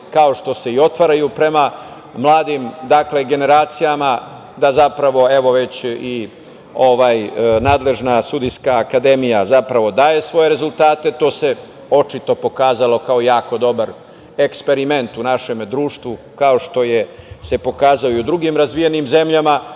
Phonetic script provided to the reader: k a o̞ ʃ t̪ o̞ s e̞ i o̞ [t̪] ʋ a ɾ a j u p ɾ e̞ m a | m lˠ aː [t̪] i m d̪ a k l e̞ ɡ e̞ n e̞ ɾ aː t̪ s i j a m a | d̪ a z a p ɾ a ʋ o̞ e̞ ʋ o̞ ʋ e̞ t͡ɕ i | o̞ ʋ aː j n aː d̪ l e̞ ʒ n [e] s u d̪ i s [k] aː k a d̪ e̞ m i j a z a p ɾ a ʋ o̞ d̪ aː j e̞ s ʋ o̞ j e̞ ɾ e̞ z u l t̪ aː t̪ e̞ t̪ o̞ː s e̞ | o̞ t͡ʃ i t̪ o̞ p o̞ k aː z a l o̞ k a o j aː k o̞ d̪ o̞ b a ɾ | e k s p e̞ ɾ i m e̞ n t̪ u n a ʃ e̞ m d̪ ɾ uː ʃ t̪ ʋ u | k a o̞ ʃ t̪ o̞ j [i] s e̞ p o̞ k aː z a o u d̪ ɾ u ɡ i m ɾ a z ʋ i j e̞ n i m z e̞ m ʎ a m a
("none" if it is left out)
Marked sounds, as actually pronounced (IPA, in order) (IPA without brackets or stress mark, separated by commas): t̪, d̪, a, k, e